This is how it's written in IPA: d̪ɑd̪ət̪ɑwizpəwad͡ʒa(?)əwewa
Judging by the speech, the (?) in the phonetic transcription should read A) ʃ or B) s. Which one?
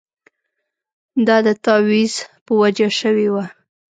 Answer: A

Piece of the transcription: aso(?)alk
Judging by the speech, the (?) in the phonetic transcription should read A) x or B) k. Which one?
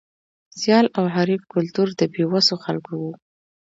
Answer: A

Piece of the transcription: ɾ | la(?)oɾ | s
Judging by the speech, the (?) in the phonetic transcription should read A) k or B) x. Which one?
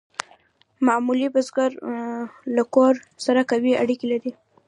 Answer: A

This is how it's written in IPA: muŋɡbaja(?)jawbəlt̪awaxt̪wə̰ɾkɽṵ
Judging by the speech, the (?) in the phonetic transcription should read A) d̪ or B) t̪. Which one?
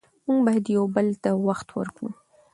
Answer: A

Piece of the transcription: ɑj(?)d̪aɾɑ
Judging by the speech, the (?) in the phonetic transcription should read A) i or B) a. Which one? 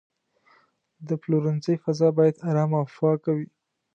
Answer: B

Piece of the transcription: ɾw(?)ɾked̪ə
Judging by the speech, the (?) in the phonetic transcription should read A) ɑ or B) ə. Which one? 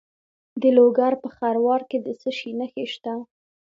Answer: A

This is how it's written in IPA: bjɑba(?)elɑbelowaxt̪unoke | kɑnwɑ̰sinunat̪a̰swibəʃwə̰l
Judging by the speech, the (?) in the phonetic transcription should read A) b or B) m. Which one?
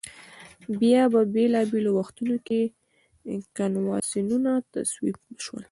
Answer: A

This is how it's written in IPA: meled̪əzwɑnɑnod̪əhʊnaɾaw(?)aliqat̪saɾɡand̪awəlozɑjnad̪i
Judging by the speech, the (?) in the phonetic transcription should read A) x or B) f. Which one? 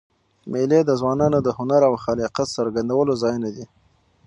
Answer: A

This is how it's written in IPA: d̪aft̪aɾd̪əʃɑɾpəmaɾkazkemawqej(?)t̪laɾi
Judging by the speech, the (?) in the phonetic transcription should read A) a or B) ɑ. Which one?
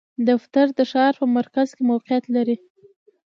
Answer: A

